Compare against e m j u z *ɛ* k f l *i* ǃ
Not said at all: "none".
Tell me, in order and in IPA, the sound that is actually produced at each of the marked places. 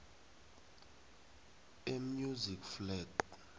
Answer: i, ɛ

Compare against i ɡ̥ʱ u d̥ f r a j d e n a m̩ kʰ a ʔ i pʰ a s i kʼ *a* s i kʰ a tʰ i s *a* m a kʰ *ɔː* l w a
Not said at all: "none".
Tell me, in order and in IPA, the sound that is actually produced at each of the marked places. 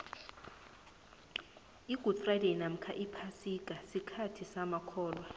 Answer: a, a, ɔː

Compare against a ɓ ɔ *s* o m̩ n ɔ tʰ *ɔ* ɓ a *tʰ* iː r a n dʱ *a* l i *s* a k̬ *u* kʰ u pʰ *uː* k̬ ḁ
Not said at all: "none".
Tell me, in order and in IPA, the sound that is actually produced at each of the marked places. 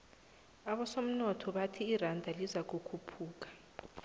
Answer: s, ɔ, tʰ, a, z, u, uː

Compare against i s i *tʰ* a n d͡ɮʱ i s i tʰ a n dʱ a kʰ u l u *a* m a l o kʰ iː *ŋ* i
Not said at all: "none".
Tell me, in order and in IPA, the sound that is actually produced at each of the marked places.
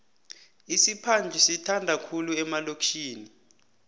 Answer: pʰ, ɛ, n

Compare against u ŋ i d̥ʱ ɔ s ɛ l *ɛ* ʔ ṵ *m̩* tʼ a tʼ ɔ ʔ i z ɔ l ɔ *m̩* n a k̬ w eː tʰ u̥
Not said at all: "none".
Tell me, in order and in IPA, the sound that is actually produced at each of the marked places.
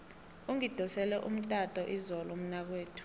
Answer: ɛ, m̩, m̩

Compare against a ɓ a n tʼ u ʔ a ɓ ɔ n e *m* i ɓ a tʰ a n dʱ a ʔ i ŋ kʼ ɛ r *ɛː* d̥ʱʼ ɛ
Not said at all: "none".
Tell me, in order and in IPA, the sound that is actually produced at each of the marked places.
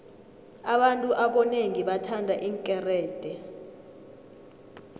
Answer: ŋ, ɛː

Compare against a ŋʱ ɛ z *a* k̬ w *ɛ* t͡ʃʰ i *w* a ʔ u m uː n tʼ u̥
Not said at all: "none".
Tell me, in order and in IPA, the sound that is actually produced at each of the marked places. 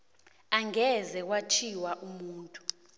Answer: ɛ, a, w

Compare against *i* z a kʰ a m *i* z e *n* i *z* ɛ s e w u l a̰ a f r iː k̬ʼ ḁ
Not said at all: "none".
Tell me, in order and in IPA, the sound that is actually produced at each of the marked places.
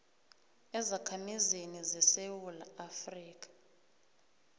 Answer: ɛ, i, n, z

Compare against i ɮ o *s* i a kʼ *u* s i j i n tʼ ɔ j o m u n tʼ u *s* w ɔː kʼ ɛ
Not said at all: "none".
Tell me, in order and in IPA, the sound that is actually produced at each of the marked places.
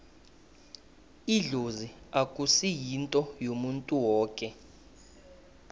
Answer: z, u, none

